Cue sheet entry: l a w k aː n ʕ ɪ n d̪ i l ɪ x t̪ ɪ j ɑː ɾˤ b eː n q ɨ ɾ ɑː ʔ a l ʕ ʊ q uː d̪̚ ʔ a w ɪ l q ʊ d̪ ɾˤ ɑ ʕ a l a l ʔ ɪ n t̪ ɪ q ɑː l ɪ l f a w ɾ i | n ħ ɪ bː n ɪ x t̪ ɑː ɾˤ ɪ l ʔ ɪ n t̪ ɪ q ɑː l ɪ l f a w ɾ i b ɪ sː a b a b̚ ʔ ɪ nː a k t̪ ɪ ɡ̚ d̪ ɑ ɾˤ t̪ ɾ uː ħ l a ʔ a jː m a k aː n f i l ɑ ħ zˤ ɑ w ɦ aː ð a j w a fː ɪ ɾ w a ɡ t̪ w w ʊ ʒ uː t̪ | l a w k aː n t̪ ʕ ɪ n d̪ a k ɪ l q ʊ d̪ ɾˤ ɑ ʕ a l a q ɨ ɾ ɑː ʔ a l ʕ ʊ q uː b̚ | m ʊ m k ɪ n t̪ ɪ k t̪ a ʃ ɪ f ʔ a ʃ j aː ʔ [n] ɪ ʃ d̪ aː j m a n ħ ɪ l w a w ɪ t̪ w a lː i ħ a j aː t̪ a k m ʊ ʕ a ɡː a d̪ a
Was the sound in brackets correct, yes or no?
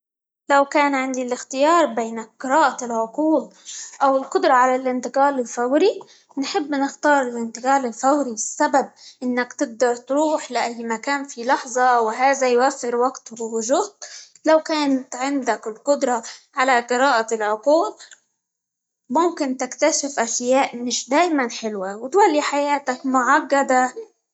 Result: no